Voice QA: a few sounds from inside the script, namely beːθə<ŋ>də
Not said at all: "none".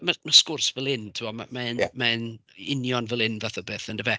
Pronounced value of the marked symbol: n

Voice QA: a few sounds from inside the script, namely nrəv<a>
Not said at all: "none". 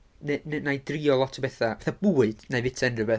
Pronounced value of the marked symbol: ɛ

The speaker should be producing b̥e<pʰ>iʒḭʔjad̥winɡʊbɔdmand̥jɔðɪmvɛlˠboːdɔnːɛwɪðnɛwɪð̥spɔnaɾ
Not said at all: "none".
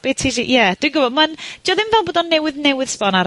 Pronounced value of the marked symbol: tʰ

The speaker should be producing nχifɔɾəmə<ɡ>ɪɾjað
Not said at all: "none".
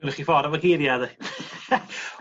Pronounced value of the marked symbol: ɡ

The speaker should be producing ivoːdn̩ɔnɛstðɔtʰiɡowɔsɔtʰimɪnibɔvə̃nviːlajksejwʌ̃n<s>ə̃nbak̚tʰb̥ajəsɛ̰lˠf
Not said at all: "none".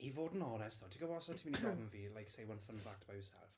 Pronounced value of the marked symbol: f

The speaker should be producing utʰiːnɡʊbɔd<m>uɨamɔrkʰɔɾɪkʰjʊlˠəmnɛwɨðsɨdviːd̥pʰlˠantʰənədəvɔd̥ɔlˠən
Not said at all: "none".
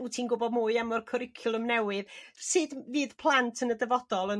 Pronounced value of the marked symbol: m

